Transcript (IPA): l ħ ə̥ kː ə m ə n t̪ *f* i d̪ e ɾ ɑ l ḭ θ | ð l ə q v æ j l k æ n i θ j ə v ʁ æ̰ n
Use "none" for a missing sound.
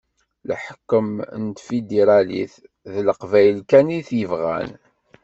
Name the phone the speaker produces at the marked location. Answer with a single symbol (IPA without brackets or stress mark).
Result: f